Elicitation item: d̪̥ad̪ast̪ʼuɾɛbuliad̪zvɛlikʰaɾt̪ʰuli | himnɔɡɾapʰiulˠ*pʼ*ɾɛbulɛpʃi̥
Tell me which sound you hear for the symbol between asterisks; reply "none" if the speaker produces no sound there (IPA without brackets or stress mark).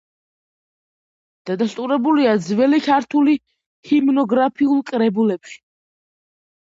kʼ